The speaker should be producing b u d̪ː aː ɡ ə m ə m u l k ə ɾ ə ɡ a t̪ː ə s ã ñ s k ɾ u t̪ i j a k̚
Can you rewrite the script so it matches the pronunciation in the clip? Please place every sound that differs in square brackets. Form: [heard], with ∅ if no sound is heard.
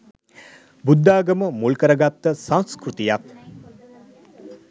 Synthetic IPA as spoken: b u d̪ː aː ɡ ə m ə m u l k ə ɾ ə ɡ a t̪ː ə s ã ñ s k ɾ u t̪ i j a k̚